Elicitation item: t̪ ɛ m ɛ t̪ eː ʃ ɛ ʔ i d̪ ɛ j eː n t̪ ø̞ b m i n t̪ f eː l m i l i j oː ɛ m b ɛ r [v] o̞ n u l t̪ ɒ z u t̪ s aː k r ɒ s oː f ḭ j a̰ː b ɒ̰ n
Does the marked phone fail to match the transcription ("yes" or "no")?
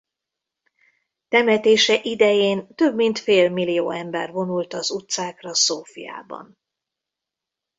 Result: no